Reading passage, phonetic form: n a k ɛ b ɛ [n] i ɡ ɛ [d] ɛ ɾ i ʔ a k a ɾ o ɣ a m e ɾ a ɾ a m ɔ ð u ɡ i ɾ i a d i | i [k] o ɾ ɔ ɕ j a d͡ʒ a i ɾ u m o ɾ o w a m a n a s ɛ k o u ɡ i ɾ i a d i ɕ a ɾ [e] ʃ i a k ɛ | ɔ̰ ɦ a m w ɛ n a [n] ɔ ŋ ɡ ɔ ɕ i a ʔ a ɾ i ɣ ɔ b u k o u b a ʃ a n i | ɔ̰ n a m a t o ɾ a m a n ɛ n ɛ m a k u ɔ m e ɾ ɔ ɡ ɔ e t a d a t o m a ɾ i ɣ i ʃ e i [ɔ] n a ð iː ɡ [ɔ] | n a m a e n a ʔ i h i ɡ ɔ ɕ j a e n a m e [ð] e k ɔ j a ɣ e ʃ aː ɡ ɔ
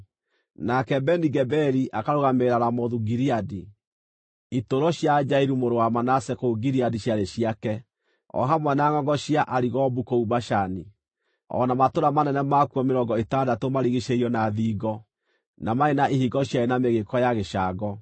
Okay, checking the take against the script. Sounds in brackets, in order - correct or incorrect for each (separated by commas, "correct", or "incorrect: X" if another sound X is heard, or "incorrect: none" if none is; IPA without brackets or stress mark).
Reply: correct, incorrect: b, incorrect: t, correct, incorrect: ŋ, correct, correct, incorrect: ɣ